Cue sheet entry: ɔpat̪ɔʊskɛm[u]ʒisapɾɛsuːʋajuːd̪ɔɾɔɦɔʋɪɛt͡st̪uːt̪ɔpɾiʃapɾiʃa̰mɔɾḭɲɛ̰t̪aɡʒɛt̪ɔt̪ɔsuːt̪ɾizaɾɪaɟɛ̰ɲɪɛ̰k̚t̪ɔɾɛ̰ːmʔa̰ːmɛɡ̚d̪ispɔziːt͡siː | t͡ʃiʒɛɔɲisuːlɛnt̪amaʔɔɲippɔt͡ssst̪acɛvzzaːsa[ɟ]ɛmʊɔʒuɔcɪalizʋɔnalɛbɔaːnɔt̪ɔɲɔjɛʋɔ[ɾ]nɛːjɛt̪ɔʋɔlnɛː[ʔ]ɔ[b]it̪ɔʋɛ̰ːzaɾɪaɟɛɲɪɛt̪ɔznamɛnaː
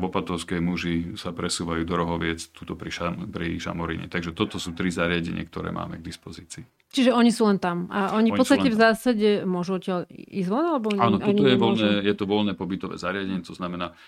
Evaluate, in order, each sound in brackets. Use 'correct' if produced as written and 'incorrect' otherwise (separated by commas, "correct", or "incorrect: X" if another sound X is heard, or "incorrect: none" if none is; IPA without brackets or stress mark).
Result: correct, correct, incorrect: l, incorrect: p, correct